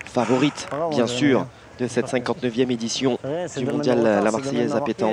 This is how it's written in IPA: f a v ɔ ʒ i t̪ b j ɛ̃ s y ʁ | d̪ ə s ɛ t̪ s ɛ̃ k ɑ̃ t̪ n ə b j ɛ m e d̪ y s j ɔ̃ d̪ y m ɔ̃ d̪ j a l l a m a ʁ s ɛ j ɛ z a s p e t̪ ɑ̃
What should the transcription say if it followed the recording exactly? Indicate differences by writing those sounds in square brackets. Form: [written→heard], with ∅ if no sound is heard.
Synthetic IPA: f a v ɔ [ʒ→ʁ] i t̪ b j ɛ̃ s y ʁ | d̪ ə s ɛ t̪ s ɛ̃ k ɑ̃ t̪ n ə [b→v] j ɛ m e d̪ [y→i] s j ɔ̃ d̪ y m ɔ̃ d̪ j a l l a m a ʁ s ɛ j ɛ z a [s→∅] p e t̪ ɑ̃